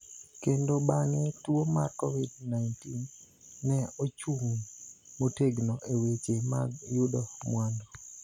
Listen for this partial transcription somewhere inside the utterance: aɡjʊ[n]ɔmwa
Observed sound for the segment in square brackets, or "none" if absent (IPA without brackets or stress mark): d